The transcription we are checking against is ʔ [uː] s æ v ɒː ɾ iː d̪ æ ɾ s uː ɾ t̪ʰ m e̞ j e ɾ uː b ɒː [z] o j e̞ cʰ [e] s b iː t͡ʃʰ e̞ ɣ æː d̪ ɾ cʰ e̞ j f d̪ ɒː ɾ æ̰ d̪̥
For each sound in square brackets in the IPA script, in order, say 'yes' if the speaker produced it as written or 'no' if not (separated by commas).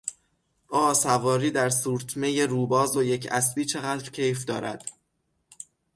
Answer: no, yes, no